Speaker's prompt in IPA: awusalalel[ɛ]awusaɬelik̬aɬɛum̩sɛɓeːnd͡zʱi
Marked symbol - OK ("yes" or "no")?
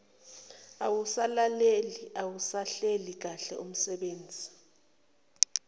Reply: no